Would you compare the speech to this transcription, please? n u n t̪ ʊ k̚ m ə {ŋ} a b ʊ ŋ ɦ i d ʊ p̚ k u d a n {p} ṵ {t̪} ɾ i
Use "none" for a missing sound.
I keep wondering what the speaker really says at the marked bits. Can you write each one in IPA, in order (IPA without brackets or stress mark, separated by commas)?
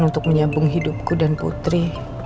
ɲ, p, t̪